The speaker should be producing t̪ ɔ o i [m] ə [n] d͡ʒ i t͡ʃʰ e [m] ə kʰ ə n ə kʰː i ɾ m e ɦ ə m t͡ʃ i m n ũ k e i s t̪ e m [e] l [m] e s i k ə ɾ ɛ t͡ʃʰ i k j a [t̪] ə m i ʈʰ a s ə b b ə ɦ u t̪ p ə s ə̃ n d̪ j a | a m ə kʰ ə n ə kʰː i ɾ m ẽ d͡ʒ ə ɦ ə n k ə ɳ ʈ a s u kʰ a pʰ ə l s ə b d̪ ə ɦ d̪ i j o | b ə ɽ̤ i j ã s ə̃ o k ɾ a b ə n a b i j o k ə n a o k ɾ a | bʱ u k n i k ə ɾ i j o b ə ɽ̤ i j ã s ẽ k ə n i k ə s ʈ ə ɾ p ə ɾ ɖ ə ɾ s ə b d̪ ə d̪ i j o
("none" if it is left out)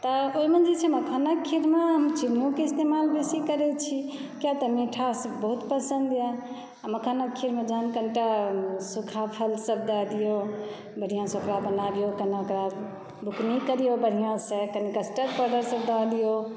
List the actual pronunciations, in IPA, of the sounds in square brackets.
m, n, m, a, b, t̪

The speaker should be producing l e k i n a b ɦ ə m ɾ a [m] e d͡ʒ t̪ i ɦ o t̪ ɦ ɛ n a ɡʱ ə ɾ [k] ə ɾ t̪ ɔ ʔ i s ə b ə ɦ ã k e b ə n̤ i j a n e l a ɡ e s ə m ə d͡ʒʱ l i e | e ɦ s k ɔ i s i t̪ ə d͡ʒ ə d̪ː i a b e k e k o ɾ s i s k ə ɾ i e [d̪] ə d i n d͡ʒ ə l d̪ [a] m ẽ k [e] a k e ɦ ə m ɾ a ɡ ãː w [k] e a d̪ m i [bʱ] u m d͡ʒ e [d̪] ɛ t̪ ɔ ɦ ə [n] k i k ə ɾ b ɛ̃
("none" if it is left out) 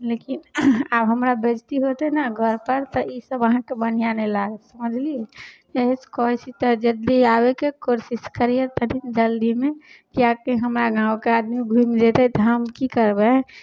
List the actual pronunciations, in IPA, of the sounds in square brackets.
b, p, t̪, i, i, k, ɡʱ, t̪, m

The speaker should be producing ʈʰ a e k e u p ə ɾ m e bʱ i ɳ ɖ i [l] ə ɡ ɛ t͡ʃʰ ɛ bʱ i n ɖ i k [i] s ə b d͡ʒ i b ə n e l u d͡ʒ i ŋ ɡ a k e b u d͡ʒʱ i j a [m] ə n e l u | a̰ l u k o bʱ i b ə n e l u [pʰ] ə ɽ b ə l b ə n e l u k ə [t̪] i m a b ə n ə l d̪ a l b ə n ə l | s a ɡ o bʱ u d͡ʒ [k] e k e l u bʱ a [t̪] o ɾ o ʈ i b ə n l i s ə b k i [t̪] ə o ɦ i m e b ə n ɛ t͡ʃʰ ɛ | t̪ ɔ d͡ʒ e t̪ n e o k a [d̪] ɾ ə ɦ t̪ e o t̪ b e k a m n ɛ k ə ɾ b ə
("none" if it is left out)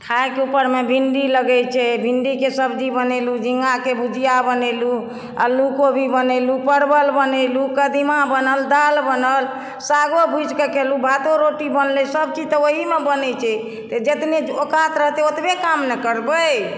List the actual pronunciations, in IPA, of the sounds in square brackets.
l, e, b, p, d̪, k, t̪, t̪, t̪

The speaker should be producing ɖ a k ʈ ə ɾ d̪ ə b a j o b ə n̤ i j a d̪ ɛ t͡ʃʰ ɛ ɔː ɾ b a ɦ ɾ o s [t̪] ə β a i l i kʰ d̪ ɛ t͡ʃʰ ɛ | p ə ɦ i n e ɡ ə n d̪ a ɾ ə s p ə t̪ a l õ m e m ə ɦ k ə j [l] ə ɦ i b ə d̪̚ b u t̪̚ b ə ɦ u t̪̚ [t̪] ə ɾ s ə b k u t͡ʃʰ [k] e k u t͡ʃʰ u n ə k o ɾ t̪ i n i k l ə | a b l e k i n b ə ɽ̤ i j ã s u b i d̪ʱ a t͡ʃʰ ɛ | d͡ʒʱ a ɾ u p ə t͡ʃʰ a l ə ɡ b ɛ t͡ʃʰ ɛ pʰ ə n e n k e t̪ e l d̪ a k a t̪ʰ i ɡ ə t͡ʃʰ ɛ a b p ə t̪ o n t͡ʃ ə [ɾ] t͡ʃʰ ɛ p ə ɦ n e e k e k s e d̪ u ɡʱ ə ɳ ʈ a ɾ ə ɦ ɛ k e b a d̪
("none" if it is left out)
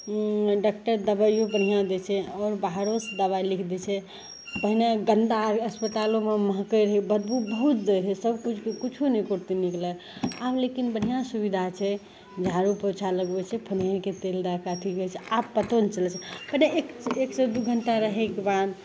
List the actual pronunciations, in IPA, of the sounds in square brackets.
d̪, ɾ, d̪, k, l

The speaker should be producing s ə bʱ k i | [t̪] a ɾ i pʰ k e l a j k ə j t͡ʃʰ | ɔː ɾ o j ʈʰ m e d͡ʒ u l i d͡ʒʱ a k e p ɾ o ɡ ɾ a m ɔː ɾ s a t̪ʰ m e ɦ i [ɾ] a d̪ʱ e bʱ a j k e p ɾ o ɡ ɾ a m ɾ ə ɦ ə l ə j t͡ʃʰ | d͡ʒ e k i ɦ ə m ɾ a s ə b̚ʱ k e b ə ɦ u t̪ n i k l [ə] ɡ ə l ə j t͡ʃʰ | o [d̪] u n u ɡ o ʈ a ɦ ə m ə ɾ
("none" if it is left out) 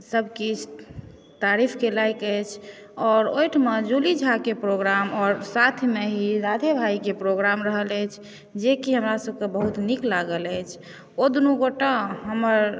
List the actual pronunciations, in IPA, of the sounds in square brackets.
t̪, ɾ, a, d̪

